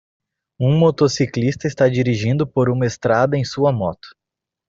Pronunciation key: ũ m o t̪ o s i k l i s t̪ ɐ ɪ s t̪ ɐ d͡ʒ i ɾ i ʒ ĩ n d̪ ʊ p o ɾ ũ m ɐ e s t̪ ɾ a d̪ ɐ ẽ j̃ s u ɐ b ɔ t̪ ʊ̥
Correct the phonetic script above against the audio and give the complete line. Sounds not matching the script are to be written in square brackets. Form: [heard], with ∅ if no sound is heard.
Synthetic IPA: ũ m o t̪ o s i k l i s t̪ ɐ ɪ s t̪ [a] d͡ʒ i ɾ i ʒ ĩ n d̪ ʊ p o ɾ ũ m ɐ e s t̪ ɾ a d̪ ɐ ẽ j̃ s u ɐ [m] ɔ t̪ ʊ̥